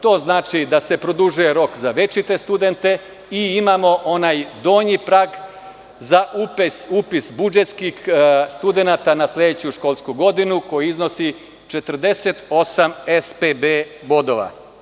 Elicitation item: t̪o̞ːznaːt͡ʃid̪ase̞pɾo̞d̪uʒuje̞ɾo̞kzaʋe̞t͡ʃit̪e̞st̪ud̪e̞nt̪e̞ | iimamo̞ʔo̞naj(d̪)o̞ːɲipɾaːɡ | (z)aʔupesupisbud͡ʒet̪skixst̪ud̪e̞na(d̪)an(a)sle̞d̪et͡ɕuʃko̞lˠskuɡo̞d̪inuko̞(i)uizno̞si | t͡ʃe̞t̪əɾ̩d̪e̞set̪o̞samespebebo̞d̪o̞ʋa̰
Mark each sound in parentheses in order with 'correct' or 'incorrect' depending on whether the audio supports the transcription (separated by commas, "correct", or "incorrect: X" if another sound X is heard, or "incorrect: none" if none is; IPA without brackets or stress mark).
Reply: correct, correct, incorrect: t̪, correct, incorrect: j